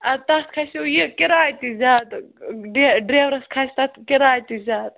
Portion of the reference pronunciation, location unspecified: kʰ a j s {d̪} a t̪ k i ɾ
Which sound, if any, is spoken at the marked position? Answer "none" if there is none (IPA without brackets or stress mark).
t̪